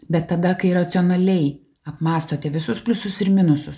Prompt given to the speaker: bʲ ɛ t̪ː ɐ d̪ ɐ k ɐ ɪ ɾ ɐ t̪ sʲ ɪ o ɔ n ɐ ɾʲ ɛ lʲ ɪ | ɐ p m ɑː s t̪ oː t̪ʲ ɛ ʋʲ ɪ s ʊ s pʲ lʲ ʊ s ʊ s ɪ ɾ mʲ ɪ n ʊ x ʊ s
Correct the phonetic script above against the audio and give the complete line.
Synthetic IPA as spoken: bʲ ɛ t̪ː ɐ d̪ ɐ k ɐ ɪ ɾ ɐ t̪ sʲ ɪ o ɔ n ɐ lʲ ɛ ɪ | ɐ p m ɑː s t̪ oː t̪ʲ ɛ ʋʲ ɪ s ʊ s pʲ lʲ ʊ s ʊ s ɪ ɾ mʲ ɪ n ʊ s ʊ s